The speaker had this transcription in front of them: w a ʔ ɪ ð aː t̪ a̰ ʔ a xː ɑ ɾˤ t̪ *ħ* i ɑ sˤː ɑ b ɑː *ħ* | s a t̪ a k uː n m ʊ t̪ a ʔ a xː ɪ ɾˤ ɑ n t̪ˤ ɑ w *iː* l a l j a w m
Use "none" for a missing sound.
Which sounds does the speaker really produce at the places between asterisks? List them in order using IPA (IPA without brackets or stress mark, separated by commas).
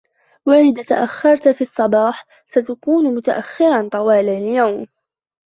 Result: f, ħ, aː